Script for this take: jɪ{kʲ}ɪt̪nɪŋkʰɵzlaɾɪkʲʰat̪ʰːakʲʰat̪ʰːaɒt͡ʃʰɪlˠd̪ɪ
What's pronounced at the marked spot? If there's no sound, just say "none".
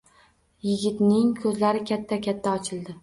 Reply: ɡʲ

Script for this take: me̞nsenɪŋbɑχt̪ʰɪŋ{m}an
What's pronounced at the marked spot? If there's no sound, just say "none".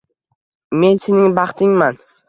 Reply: m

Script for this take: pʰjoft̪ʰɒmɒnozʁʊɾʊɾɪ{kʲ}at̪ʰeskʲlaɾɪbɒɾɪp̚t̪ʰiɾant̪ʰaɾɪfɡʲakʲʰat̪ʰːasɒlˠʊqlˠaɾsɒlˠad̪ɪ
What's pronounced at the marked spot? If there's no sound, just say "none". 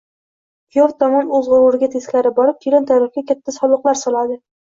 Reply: ɡʲ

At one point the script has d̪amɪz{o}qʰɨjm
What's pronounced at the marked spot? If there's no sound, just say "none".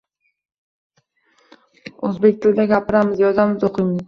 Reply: o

